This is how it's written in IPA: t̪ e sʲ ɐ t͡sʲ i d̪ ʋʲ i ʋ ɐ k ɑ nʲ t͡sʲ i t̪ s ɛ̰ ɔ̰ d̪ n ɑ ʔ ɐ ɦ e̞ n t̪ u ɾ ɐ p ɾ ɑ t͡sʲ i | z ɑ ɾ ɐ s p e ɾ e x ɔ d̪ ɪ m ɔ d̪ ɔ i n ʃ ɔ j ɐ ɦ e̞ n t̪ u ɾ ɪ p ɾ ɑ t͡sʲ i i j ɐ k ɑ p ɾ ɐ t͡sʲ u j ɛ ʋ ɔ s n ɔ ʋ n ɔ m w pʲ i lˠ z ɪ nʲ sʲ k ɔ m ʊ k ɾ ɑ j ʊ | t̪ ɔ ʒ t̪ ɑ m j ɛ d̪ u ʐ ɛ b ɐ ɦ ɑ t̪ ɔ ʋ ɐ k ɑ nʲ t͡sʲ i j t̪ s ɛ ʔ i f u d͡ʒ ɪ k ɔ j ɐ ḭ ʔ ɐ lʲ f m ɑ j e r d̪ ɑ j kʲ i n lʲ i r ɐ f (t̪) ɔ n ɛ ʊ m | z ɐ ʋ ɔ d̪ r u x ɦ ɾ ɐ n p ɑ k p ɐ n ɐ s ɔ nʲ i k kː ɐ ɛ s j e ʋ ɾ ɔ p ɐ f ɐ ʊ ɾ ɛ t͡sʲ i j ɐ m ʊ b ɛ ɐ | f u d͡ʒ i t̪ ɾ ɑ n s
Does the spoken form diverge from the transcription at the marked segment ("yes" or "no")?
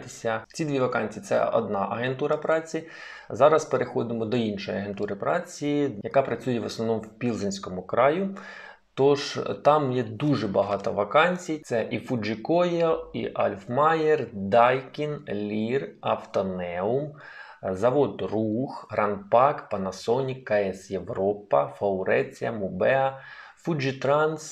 no